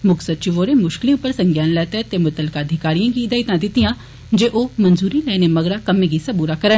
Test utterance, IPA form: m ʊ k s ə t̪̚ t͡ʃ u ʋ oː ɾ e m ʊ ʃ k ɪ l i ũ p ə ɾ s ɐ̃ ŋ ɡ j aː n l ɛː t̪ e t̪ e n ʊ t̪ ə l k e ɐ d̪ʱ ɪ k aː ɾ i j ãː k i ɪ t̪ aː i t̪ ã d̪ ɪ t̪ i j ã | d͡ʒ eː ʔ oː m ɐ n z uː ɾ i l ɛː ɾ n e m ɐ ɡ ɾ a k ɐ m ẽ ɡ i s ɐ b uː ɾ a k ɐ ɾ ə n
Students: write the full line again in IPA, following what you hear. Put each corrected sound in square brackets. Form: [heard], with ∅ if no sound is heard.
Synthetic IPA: m ʊ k s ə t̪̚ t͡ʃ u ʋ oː ɾ e m ʊ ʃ k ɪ l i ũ p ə ɾ s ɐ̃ ŋ ɡ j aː n l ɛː t̪ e t̪ e [m] ʊ t̪ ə l k [a] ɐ d̪ʱ ɪ k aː ɾ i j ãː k i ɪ [d̪] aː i t̪ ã d̪ ɪ t̪ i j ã | d͡ʒ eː ʔ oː m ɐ n z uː ɾ i l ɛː [∅] n e m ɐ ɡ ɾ a k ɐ m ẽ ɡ i s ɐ b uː ɾ a k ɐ ɾ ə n